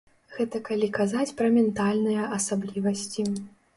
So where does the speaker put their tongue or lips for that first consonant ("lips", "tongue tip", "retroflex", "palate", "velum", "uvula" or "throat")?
velum